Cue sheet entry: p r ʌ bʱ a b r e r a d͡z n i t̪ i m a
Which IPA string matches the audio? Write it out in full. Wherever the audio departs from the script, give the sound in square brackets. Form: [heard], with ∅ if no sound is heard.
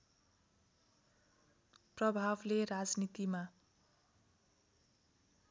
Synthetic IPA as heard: p r ʌ bʱ a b [l] e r a d͡z n i t̪ i m a